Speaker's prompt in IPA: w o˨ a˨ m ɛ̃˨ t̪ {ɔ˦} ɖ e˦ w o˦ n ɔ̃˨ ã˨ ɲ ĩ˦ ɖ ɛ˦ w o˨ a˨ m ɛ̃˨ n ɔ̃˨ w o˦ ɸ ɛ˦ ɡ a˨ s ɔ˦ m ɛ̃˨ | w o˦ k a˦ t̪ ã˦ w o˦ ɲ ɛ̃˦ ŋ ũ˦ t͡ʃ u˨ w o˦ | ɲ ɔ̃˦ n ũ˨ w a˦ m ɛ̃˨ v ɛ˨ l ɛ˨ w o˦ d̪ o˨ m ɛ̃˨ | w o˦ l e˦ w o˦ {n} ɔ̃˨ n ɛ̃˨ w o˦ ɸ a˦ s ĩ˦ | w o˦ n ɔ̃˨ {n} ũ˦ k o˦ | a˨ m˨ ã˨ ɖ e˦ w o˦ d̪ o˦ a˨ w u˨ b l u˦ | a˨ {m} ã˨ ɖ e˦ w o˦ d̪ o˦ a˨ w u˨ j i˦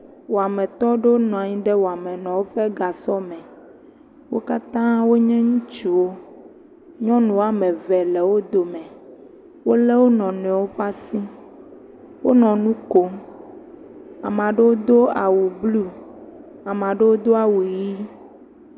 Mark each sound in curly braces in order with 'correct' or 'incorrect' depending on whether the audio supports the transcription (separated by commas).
correct, correct, correct, correct